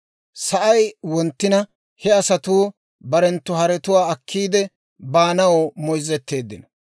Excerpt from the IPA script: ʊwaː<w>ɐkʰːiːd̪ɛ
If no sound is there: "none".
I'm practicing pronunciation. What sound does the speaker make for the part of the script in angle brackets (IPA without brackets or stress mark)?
none